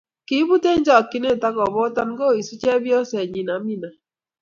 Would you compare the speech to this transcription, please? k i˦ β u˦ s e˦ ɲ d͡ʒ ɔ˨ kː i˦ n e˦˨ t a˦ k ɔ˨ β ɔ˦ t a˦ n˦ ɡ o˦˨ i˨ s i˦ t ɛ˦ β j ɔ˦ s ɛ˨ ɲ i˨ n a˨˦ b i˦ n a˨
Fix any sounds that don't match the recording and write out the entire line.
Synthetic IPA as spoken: k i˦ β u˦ t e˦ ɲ d͡ʒ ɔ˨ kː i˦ n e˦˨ t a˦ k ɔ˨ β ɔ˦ t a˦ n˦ ɡ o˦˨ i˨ s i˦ t͡ʃ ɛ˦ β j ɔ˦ s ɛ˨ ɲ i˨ n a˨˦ m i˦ n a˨